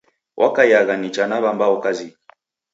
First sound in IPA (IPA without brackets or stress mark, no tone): w